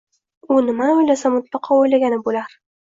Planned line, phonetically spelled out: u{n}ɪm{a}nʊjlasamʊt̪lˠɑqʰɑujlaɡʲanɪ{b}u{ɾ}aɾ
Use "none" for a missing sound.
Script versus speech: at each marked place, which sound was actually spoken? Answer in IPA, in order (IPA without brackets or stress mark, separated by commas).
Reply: n, a, b, l